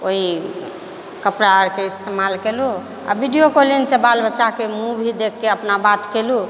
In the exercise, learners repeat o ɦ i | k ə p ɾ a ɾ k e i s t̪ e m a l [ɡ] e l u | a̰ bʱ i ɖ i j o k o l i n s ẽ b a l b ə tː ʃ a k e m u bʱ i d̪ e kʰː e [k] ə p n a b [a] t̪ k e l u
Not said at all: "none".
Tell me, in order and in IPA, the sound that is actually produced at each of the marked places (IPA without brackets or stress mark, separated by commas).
k, none, a